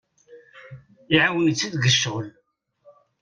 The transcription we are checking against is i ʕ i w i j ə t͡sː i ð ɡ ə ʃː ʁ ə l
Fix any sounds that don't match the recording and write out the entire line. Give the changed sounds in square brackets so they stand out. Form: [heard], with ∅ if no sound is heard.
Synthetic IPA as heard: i ʕ [a] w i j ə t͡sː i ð ɡ ə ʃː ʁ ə l